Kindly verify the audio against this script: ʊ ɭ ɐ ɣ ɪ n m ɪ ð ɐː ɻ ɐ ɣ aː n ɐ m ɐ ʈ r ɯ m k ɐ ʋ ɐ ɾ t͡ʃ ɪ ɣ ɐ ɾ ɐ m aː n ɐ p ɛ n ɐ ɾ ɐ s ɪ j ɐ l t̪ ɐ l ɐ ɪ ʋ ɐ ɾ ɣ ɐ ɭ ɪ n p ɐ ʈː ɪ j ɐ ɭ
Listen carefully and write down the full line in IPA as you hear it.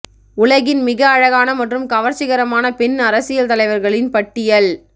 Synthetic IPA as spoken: ʊ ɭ ɐ ɣ ɪ n m ɪ ɣ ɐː ɻ ɐ ɣ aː n ɐ m ɐ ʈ r ɯ m k ɐ ʋ ɐ ɾ t͡ʃ ɪ ɣ ɐ ɾ ɐ m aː n ɐ p ɛ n ɐ ɾ ɐ s ɪ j ɐ l t̪ ɐ l ɐ ɪ ʋ ɐ ɾ ɣ ɐ ɭ ɪ n p ɐ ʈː ɪ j ɐ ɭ

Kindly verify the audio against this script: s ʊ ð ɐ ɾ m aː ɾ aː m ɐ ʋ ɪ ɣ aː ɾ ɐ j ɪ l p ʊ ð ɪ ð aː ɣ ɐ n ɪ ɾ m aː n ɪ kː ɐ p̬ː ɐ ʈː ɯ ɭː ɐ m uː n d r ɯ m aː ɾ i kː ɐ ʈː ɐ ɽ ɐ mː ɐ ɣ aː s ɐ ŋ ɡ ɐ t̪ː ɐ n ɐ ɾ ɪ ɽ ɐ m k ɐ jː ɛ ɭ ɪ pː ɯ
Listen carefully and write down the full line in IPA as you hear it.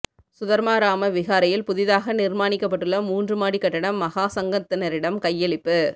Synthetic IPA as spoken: s ʊ ð ɐ ɾ m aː ɾ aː m ɐ ʋ ɪ ɣ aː ɾ ɐ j ɪ l p ʊ ð ɪ ð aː ɣ ɐ n ɪ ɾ m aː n ɪ kː ɐ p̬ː ɐ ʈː ɯ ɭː ɐ m uː n d r ɯ m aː ɽ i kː ɐ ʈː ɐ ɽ ɐ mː ɐ ɣ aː s ɐ ŋ ɡ ɐ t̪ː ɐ n ɐ ɾ ɪ ɽ ɐ m k ɐ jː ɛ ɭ ɪ pː ɯ

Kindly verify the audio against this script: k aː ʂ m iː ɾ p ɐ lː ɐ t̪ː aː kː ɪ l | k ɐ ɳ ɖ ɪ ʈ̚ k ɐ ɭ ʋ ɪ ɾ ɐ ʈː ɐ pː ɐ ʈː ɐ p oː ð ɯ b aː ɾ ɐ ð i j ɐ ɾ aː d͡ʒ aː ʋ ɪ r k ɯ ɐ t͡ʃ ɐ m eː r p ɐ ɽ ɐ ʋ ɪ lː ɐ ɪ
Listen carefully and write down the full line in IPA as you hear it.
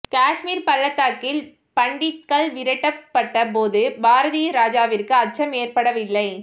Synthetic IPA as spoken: k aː ʂ m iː ɾ p ɐ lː ɐ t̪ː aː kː ɪ l | p ɐ ɳ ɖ ɪ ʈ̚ k ɐ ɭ ʋ ɪ ɾ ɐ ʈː ɐ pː ɐ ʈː ɐ p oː ð ɯ b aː ɾ ɐ ð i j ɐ ɾ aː d͡ʒ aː ʋ ɪ r k ɯ ɐ t͡ʃ ɐ m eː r p ɐ ɽ ɐ ʋ ɪ lː ɐ ɪ

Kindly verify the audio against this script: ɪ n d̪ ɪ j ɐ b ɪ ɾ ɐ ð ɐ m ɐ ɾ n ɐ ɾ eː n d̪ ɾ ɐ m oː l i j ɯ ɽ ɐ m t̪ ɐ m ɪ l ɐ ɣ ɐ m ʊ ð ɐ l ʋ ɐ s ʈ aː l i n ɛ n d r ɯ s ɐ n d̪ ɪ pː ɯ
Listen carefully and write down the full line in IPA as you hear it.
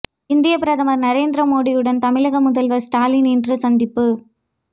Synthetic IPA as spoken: ɪ n d̪ ɪ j ɐ p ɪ ɾ ɐ ð ɐ m ɐ ɾ n ɐ ɾ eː n d̪ ɾ ɐ m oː ɽ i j ɯ ɽ ɐ n t̪ ɐ m ɪ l ɐ ɣ ɐ m ʊ ð ɐ l ʋ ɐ s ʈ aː l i n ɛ n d r ɯ s ɐ n d̪ ɪ pː ɯ

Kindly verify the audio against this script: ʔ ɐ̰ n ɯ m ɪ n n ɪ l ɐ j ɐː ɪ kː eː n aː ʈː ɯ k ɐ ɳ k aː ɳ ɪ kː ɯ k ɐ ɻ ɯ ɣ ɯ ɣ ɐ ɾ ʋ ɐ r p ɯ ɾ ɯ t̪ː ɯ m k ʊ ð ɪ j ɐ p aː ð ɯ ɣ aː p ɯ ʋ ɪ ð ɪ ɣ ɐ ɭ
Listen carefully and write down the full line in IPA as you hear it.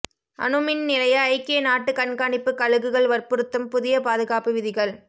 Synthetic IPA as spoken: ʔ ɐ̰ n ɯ m ɪ n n ɪ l ɐ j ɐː ɪ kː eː n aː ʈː ɯ k ɐ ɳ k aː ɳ ɪ pː ɯ k ɐ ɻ ɯ ɣ ɯ ɣ ɐ ɭ ʋ ɐ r p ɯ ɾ ɯ t̪ː ɯ m p ʊ ð ɪ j ɐ p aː ð ɯ ɣ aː p ɯ ʋ ɪ ð ɪ ɣ ɐ ɭ

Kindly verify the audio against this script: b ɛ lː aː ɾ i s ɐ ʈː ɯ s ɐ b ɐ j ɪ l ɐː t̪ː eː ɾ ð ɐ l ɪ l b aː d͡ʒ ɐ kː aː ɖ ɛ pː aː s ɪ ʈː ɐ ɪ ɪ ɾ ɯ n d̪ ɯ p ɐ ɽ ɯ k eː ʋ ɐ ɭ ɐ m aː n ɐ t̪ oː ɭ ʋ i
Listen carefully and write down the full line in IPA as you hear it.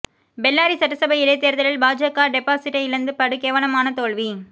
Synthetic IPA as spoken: b ɛ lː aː ɾ i s ɐ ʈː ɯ s ɐ b ɐ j ɪ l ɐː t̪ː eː ɾ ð ɐ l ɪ l b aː d͡ʒ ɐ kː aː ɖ ɛ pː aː s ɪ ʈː ɐ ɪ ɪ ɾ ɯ n d̪ ɯ p ɐ ɽ ɯ k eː ʋ ɐ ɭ ɐ m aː n ɐ t̪ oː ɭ ʋ i

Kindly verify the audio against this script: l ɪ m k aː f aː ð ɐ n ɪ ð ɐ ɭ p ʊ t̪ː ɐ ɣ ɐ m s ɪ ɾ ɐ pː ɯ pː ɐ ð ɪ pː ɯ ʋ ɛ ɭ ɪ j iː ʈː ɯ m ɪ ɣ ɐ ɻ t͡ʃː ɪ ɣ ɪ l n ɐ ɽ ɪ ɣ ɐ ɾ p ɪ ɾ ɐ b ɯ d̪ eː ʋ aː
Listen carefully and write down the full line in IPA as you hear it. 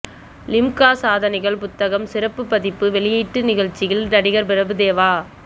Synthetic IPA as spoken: l ɪ m k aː s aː ð ɐ n ɪ ɣ ɐ ɭ p ʊ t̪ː ɐ ɣ ɐ m s ɪ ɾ ɐ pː ɯ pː ɐ ð ɪ pː ɯ ʋ ɛ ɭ ɪ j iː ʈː ɯ n ɪ ɣ ɐ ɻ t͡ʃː ɪ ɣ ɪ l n ɐ ɽ ɪ ɣ ɐ ɾ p ɪ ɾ ɐ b ɯ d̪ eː ʋ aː

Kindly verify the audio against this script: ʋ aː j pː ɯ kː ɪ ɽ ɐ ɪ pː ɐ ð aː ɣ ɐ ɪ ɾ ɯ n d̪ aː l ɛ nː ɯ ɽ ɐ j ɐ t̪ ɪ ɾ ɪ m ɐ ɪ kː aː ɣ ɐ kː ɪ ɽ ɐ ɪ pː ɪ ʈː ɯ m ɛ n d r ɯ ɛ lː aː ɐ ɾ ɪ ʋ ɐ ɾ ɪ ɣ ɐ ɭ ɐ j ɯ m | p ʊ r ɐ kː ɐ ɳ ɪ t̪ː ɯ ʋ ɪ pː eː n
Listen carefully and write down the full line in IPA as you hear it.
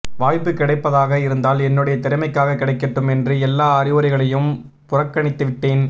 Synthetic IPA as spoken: ʋ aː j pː ɯ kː ɪ ɽ ɐ ɪ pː ɐ ð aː ɣ ɐ ɪ ɾ ɯ n d̪ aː l ɛ nː ɯ ɽ ɐ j ɐ t̪ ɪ ɾ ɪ m ɐ ɪ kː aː ɣ ɐ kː ɪ ɽ ɐ ɪ kː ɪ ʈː ɯ m ɛ n d r ɯ ɛ lː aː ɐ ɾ ɪ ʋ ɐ ɾ ɪ ɣ ɐ ɭ ɐ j ɯ m | p ʊ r ɐ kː ɐ ɳ ɪ t̪ː ɯ ʋ ɪ ʈː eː n

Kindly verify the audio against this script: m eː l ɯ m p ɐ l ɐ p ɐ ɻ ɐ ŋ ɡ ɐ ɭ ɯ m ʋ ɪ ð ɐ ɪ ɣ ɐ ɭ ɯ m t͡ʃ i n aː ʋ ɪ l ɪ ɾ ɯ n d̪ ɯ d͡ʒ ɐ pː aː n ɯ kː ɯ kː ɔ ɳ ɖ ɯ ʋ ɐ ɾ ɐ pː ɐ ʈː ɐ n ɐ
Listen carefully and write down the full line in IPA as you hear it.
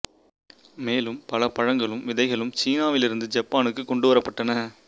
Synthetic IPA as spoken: m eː l ɯ m p ɐ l ɐ p ɐ ɻ ɐ ŋ ɡ ɐ ɭ ɯ m ʋ ɪ ð ɐ ɪ ɣ ɐ ɭ ɯ m t͡ʃ iː n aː ʋ ɪ l ɪ ɾ ɯ n d̪ ɯ d͡ʒ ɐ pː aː n ɯ kː ɯ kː ɔ ɳ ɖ ɯ ʋ ɐ ɾ ɐ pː ɐ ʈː ɐ n ɐ

